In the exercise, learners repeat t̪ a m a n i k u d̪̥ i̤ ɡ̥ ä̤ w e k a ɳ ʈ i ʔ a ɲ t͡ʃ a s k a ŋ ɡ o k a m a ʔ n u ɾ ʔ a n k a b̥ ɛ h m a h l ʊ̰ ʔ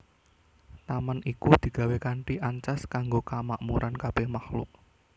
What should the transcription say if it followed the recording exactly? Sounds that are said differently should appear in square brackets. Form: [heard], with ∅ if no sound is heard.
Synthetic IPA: t̪ a m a n i k u d̪̥ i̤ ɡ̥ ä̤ w e k a ɳ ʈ i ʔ a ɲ t͡ʃ a s k a ŋ ɡ o k a m a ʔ [m] u ɾ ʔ a n k a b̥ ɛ h m a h l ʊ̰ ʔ